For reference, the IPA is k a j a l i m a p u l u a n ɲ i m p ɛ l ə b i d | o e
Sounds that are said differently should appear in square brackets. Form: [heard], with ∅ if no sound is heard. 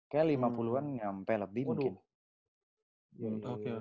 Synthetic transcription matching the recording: k a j a l i m a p u l u a n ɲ [a] m p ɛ l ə b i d | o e